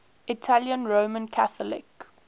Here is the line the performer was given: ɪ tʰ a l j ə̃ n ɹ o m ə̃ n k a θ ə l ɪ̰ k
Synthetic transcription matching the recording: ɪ tʰ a l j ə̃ n ɹ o m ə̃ n kʰ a θ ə l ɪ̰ k